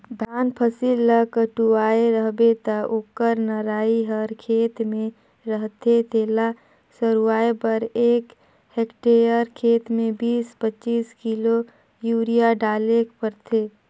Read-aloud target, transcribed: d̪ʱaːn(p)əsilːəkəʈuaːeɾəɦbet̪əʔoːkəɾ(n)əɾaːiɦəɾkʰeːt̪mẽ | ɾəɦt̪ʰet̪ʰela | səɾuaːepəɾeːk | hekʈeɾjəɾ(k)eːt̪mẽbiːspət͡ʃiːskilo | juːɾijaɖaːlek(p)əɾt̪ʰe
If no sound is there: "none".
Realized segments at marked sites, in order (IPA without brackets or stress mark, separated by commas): pʰ, n, kʰ, p